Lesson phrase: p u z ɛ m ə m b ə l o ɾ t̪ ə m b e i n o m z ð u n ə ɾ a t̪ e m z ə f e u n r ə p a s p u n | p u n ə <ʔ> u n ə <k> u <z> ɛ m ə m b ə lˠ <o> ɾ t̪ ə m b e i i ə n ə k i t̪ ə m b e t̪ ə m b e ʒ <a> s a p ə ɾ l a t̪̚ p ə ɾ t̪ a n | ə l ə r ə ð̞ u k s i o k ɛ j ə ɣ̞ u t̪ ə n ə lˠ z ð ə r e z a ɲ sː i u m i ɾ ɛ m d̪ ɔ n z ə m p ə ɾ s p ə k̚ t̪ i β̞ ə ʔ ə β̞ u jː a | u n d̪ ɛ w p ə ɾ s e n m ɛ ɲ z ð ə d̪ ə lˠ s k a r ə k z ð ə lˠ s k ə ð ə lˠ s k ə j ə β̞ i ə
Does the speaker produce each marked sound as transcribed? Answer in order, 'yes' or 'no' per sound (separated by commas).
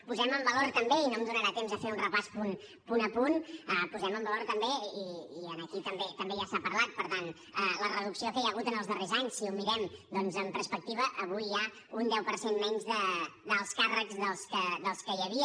no, no, yes, yes, yes